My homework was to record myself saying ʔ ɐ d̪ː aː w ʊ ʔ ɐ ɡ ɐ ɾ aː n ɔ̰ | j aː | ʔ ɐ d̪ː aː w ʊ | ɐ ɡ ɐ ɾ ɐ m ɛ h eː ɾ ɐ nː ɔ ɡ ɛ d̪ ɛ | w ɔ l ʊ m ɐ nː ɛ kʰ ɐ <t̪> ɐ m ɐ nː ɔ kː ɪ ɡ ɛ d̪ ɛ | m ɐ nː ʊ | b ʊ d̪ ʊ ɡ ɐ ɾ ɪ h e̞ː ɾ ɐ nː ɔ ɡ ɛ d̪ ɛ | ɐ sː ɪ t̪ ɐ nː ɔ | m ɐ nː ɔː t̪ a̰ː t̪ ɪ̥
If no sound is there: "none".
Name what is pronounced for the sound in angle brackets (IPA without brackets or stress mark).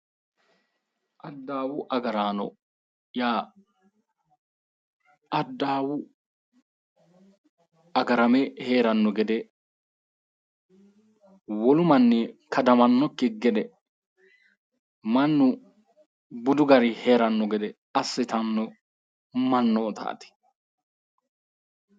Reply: d̪